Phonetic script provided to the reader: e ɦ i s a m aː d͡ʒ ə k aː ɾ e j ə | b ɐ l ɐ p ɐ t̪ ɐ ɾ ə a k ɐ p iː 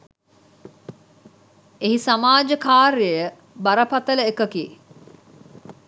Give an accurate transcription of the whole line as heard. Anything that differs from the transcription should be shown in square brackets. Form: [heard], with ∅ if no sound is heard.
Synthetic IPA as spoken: e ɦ i s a m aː d͡ʒ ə k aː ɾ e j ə | b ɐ [ɾ] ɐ p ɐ t̪ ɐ [l] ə [e] k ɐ [k] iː